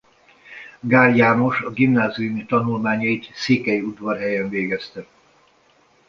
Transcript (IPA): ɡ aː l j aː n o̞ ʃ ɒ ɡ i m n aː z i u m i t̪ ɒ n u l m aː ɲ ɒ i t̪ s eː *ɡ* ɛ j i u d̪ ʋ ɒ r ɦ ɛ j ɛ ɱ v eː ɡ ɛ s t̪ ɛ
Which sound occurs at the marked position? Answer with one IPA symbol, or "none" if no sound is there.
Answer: k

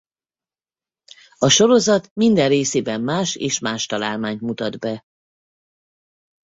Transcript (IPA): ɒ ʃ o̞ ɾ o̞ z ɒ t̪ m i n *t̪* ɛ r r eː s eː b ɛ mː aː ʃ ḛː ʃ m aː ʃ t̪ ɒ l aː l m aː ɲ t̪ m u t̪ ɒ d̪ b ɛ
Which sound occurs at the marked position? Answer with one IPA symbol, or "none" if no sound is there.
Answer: d̪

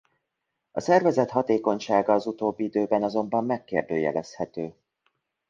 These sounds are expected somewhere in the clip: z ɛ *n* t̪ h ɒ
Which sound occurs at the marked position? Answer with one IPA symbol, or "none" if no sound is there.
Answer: none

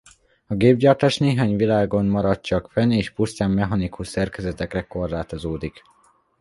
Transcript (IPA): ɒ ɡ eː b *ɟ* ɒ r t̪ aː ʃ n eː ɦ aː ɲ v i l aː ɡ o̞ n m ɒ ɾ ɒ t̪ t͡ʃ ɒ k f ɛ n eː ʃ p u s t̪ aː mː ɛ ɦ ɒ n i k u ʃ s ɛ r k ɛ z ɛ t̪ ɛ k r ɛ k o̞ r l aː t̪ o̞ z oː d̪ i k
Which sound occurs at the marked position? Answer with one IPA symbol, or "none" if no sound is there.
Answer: ɟ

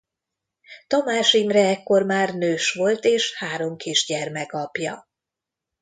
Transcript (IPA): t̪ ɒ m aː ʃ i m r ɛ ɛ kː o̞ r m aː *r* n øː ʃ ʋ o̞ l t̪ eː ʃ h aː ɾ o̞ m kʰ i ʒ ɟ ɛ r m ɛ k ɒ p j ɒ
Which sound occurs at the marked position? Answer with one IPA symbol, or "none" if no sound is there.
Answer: r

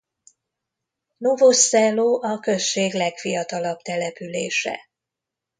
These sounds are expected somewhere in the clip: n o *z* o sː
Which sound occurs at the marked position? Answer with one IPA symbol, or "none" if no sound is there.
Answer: v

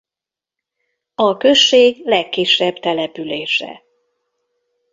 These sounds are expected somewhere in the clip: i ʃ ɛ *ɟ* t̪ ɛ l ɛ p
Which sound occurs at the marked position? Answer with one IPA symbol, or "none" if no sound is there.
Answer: b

